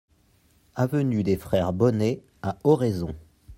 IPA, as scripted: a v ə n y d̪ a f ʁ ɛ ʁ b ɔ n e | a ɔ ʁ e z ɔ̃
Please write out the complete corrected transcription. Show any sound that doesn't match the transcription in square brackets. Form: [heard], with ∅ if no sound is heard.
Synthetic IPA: a v ə n y d̪ [e] f [χ] ɛ ʁ b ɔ n e | a ɔ ʁ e z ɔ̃